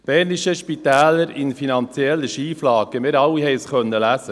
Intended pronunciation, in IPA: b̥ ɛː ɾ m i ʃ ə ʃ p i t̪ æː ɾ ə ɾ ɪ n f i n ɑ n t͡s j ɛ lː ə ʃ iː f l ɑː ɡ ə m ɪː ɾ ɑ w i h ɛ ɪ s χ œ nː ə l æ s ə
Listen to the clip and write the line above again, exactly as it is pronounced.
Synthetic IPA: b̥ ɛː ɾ n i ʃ ə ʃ p i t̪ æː l ə ɾ ɪ n f i n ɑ n t͡s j ɛ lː ə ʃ iː f l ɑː ɡ ə m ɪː ɾ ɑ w i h ɛ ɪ s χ œ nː ə l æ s ə

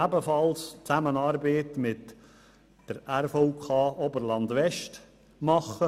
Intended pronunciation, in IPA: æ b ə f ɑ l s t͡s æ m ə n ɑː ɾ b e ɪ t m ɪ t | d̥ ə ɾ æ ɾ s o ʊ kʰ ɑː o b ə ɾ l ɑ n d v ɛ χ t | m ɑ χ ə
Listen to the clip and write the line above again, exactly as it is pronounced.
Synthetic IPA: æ b ə f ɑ l s t͡s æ m ə n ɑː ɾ b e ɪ t m ɪ t | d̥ ə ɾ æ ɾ f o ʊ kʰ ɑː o b ə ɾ l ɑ n d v ɛ ʃ t | m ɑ χ ə

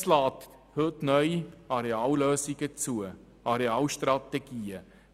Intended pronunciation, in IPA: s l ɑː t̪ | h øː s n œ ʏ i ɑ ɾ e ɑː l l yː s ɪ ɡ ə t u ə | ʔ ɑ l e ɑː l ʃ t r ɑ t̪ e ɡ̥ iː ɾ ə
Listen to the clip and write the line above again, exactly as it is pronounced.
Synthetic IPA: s l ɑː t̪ | h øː t n œ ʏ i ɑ ɾ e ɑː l l øː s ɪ ɡ ə t͡s u ə | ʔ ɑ ɾ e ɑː l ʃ t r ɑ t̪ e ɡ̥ iː ə

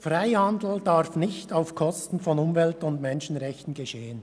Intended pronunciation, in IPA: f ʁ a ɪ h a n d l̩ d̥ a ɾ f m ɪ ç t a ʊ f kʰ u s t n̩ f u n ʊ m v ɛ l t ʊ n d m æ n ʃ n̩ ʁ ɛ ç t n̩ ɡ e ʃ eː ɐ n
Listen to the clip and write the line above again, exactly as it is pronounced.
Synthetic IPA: f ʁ a ɪ h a n d l̩ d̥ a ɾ f n ɪ ç t a ʊ f kʰ ɔ s t n̩ f ɔ n ʊ m v ɛ l t ʊ n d m ɛ n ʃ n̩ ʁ ɛ ç t n̩ ɡ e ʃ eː ə n

